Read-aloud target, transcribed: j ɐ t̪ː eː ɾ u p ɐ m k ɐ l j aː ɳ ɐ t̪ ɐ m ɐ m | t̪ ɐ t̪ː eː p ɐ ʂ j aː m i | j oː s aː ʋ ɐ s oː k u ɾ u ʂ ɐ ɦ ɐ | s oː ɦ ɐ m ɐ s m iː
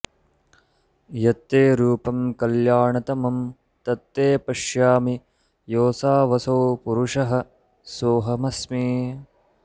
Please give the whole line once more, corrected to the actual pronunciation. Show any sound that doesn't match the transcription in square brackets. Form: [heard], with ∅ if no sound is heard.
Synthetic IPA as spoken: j ɐ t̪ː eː ɾ [uː] p ɐ m k ɐ l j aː ɳ ɐ t̪ ɐ m ɐ m | t̪ ɐ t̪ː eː p ɐ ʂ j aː m i | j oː s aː ʋ ɐ s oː [p] u ɾ u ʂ ɐ ɦ ɐ | s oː ɦ ɐ m ɐ s m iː